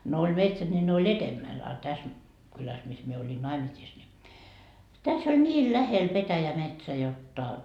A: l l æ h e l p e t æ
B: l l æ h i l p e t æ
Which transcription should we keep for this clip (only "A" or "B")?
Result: A